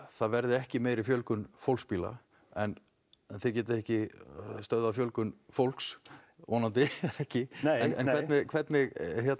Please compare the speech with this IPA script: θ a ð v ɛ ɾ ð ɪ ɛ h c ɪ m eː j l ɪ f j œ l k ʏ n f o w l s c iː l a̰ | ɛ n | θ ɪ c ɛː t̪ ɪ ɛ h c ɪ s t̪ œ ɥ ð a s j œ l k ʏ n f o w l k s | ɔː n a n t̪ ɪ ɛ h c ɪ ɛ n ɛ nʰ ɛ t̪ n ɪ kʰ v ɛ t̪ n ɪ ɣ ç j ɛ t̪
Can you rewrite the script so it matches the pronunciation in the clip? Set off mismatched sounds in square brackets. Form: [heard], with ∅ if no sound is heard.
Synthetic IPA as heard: θ a ð v ɛ ɾ ð ɪ ɛ h c ɪ m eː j [ɾ] ɪ f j œ l k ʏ n f o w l s [p] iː l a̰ | ɛ n | θ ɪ c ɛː t̪ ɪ ɛ h c ɪ s t̪ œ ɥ ð a [f] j œ l k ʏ n f o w l k s | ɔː n a n t̪ ɪ ɛ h c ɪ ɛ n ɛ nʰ ɛ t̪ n ɪ kʰ v ɛ t̪ n ɪ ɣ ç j ɛ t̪